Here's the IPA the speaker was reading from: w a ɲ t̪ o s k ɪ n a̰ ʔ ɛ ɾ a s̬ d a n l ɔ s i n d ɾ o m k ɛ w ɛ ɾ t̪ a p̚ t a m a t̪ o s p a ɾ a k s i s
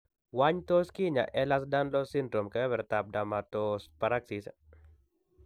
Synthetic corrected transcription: w a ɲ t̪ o s k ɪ ɲ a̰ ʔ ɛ l a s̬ d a n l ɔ s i n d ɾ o m k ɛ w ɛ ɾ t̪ a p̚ d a m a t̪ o s p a ɾ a k s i s